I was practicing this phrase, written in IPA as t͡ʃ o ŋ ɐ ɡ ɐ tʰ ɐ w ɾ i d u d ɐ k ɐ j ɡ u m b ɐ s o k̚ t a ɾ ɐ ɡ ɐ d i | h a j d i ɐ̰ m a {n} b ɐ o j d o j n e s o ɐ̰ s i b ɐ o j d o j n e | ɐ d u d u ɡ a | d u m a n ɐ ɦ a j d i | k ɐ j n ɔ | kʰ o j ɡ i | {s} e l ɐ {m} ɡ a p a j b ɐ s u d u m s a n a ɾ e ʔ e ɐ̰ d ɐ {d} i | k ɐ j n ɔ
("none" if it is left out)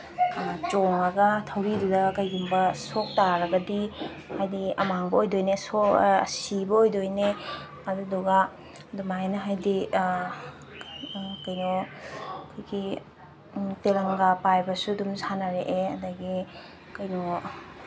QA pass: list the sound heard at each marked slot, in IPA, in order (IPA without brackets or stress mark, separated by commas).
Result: ŋ, t, ŋ, ɡ